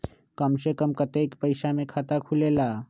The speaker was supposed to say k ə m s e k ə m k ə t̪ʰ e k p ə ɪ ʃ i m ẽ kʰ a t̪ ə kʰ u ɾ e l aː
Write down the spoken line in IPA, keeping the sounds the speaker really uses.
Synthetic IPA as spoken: k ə m s e k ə m k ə t̪ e k p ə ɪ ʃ a m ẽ kʰ a t̪ a kʰ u l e l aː

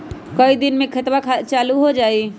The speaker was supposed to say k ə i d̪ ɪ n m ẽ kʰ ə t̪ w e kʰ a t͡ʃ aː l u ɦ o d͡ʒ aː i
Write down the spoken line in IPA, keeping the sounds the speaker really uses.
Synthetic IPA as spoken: k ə i d̪ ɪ n m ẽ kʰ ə t̪ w a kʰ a t͡ʃ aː l u ɦ o d͡ʒ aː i

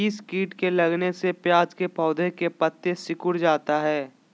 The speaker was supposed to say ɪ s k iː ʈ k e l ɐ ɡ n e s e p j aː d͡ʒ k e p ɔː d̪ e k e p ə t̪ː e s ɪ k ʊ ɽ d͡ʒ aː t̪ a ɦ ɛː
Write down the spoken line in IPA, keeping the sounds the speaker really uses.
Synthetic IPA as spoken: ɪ s k iː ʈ k e l ɐ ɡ n e s e p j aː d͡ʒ k e p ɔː d̪ e k e p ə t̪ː e s ɪ k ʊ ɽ d͡ʒ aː t̪ a ɦ ɛː

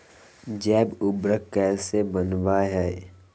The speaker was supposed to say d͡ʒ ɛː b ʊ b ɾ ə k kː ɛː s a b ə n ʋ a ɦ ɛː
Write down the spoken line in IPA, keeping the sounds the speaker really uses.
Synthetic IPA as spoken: d͡ʒ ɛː b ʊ b ɾ ə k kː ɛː s e b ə n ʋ a ɦ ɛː

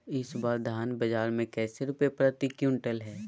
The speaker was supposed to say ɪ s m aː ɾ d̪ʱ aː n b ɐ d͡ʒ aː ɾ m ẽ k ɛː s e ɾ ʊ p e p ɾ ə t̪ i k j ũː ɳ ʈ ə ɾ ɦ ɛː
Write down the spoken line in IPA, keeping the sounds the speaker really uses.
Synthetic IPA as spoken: ɪ s b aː ɾ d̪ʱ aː n b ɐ d͡ʒ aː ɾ m ẽ k ɛː s e ɾ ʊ p e p ɾ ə t̪ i k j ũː ɳ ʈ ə l ɦ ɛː

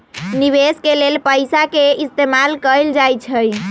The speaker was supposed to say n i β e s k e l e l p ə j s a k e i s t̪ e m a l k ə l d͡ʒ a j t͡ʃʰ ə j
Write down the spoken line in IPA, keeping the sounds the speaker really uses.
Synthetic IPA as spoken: n i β e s k e l e l p ə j s a k e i s t̪ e m a l k ə l d͡ʒ a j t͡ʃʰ ə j

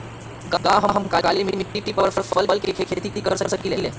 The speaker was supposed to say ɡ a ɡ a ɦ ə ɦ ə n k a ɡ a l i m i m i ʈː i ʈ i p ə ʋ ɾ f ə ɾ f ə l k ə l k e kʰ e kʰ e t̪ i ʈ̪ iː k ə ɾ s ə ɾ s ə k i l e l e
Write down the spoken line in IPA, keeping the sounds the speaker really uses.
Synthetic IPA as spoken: ɡ a ɡ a ɦ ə ɦ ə m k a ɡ a l i m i m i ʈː i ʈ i p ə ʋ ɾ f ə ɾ f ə l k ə l k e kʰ e kʰ e t̪ i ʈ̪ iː k ə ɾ s ə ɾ s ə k i l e l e

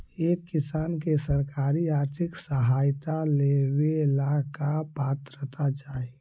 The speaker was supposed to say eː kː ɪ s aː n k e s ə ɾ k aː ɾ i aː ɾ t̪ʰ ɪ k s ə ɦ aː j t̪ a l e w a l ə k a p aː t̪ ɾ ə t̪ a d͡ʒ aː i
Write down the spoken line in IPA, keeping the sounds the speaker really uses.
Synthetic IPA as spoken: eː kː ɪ s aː n k e s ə ɾ k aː ɾ i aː ɾ t̪ʰ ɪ k s ə ɦ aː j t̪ a l e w e l a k a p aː t̪ ɾ ə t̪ a d͡ʒ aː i

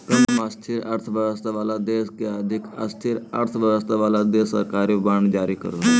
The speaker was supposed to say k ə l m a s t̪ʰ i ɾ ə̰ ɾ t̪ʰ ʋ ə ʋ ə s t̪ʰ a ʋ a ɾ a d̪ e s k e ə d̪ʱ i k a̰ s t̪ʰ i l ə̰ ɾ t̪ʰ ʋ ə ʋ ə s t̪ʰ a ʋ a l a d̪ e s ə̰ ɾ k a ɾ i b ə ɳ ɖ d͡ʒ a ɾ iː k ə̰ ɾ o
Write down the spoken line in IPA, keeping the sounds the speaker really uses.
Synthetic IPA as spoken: k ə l m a s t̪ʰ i ɾ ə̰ ɾ t̪ʰ ʋ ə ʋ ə s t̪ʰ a ʋ a l a d̪ e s k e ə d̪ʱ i k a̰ s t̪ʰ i ɾ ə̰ ɾ t̪ʰ ʋ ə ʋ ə s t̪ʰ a ʋ a l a d̪ e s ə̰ ɾ k a ɾ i b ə ɳ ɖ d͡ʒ a ɾ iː k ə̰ ɾ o

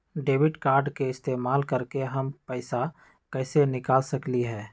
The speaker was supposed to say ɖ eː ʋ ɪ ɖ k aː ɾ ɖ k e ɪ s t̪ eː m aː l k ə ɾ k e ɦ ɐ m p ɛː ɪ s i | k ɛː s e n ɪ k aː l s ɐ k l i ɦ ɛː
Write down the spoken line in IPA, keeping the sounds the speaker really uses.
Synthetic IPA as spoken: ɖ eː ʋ ɪ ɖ k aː ɾ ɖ k e ɪ s t̪ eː m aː l k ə ɾ k e ɦ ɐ m p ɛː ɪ s a | k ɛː s e n ɪ k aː l s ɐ k l i ɦ ɛː

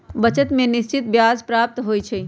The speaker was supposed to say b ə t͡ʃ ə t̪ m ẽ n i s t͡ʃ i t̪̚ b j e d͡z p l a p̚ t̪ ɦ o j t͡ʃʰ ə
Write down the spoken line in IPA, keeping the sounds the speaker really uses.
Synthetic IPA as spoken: b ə t͡ʃ ə t̪ m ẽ n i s t͡ʃ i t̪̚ b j a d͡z p ɾ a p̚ t̪ ɦ o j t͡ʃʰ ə

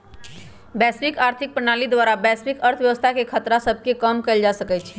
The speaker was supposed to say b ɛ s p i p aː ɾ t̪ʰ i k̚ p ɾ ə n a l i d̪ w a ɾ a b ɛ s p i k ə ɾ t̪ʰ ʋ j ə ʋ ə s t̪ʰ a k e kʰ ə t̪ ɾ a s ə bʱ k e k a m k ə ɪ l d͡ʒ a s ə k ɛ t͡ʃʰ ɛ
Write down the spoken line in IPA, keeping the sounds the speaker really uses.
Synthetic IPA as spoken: b ɛ s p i k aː ɾ t̪ʰ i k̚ p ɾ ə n a l i d̪ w a ɾ a b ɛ s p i k ə ɾ t̪ʰ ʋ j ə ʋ ə s t̪ʰ a k e kʰ ə t̪ ɾ a s ə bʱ k e k ə m k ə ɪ l d͡ʒ a s ə k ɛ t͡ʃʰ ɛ

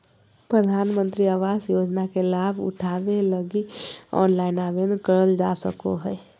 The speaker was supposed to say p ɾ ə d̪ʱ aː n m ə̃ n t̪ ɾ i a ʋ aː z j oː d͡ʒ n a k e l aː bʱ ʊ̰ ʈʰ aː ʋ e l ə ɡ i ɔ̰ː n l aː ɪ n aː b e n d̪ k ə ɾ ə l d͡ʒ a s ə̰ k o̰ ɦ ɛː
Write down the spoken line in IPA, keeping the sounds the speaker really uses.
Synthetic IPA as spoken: p ɾ ə d̪ʱ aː n m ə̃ n t̪ ɾ i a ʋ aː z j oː d͡ʒ n a k e l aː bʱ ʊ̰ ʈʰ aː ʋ e l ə ɡ i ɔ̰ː n l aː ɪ n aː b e n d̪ k ə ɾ ə l d͡ʒ a s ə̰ k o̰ ɦ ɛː

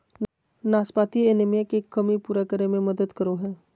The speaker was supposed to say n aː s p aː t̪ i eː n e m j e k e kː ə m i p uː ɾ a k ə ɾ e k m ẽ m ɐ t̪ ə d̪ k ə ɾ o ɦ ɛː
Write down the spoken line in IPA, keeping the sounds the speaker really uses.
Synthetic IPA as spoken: n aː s p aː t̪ i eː n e m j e k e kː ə m i p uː ɾ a k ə ɾ e m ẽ m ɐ d̪ ə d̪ k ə ɾ o ɦ ɛː

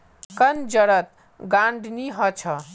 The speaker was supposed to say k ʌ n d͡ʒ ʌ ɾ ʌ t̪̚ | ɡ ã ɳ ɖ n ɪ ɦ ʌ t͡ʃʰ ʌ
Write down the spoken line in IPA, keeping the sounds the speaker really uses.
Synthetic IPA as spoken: k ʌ n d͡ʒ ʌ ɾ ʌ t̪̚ | ɡ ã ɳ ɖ n i ɦ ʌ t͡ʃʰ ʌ

